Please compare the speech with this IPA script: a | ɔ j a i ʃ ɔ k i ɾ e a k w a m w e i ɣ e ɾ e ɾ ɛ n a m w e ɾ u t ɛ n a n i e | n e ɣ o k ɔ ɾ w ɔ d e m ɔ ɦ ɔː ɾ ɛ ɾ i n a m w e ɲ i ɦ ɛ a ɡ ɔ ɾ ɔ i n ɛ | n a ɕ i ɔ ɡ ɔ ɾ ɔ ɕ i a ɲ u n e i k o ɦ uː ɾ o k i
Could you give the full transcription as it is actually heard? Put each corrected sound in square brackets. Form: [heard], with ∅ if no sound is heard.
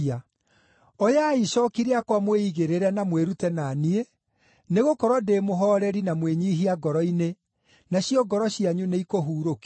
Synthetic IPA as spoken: a | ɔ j a i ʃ ɔ k i ɾ e a k w a m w e i ɣ e ɾ e ɾ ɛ n a m w e ɾ u t ɛ n a n i e | n e ɣ o k ɔ ɾ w ɔ d e m [o] ɦ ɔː ɾ ɛ ɾ i n a m w e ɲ i ɦ [i] a ɡ ɔ ɾ ɔ i n [e] | n a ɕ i ɔ ɡ ɔ ɾ ɔ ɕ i a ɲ u n e i k o ɦ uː ɾ o k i